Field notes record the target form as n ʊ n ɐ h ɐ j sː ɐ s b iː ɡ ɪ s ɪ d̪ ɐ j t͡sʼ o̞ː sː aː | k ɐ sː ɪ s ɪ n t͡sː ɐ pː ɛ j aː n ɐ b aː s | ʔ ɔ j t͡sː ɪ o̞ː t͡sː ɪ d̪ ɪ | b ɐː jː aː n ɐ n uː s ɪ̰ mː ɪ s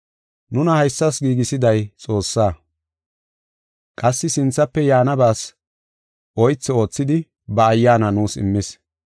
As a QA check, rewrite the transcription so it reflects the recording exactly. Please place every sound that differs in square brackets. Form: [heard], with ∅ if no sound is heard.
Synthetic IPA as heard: n ʊ n ɐ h ɐ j sː ɐ s [ɡ] iː ɡ ɪ s ɪ d̪ ɐ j t͡sʼ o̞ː sː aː | [kʼ] ɐ sː ɪ s ɪ n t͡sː ɐ pː ɛ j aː n ɐ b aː s | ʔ ɔ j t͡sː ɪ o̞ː t͡sː ɪ d̪ ɪ | b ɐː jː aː n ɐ n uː s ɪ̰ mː ɪ s